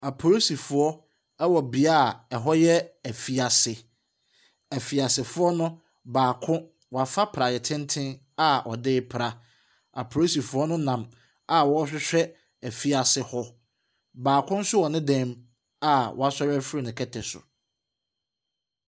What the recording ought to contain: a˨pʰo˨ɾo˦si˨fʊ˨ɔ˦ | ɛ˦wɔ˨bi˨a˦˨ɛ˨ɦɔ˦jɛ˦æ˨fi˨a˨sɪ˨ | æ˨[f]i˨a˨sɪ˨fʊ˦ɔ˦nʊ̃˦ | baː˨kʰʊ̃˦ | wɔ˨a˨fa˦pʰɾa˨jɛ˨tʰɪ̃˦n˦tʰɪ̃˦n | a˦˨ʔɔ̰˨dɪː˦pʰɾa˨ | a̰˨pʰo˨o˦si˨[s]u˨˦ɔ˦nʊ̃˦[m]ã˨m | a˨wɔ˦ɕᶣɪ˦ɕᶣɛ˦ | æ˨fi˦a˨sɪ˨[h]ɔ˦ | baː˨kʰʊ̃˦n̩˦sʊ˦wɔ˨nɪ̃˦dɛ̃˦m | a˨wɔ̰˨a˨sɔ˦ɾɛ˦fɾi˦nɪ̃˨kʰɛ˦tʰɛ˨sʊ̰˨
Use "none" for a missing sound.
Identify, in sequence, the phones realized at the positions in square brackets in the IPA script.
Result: f, f, n, h

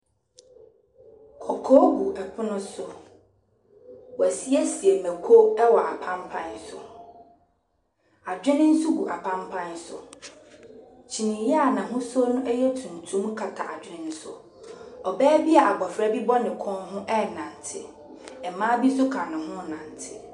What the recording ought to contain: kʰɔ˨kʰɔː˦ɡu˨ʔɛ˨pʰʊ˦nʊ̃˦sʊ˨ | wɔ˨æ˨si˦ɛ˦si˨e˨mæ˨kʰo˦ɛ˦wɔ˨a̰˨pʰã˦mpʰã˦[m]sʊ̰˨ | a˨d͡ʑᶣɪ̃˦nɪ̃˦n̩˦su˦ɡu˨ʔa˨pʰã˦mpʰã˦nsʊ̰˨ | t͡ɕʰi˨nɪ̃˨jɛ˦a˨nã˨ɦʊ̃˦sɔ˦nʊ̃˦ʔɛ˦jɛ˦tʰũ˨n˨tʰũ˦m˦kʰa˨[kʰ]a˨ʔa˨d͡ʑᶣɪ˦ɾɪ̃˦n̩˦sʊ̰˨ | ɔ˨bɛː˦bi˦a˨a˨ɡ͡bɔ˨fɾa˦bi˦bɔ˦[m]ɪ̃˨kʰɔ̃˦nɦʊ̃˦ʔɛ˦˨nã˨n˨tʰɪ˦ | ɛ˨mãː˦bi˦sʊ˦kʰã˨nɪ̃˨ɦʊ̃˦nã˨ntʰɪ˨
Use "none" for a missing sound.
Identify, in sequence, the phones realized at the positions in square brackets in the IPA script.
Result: n, tʰ, n

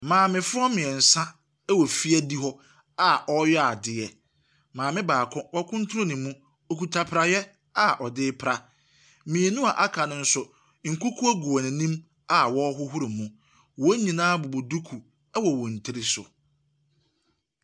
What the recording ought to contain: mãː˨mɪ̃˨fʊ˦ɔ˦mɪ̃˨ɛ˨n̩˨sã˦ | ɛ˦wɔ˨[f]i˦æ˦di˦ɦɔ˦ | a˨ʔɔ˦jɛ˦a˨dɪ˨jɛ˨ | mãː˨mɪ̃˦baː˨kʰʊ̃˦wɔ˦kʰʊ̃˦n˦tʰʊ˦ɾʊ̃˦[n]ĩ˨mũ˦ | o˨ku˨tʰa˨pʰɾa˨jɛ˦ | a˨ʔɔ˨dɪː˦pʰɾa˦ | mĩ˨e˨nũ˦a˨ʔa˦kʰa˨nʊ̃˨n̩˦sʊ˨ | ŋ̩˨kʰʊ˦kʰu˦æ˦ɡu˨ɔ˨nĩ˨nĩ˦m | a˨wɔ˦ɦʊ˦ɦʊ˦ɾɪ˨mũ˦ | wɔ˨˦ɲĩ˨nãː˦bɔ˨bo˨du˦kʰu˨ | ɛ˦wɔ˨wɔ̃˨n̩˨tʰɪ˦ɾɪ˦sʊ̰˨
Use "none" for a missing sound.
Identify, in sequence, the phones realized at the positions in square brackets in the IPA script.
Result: f, n

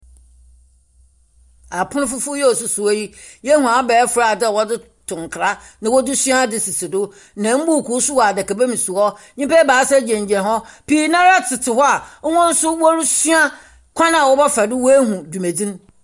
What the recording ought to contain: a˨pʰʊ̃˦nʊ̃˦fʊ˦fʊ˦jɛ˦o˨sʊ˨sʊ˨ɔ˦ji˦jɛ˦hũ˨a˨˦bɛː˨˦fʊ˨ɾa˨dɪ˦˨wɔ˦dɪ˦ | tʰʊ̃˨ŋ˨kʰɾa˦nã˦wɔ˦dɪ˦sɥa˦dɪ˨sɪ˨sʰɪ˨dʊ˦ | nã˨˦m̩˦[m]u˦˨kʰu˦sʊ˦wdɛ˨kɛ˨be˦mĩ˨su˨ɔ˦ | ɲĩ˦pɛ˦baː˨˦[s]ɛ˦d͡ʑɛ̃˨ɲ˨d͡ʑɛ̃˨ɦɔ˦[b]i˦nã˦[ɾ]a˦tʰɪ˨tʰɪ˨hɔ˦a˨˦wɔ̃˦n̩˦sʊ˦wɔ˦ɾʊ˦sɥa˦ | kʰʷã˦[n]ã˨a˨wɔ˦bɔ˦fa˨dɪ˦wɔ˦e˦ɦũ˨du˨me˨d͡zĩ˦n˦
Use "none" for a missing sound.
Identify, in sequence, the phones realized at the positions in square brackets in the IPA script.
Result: b, s, p, ɾ, n

